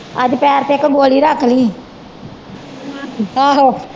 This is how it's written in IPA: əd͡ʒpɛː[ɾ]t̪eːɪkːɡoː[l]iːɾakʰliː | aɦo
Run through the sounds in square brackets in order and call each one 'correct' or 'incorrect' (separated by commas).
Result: correct, correct